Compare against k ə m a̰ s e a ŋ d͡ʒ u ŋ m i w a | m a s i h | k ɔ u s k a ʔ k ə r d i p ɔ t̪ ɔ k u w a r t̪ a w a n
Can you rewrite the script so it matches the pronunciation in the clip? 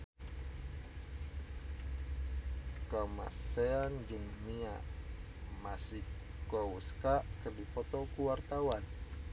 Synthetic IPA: k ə m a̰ s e a n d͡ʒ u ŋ m i a | m a s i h | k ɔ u s k a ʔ k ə r d i p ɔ t̪ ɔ k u w a r t̪ a w a n